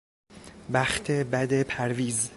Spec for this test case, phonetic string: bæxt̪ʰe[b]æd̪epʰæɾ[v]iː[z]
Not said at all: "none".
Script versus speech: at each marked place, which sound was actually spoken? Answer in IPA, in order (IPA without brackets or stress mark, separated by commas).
b, v, z